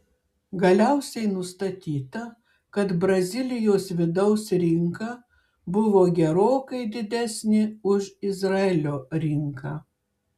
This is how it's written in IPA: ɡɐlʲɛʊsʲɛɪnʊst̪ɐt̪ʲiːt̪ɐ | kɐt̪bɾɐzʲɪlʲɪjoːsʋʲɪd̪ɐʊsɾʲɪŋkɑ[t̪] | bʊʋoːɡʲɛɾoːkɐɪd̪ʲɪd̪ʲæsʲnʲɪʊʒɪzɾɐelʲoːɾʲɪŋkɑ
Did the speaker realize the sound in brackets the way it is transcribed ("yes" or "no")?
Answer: no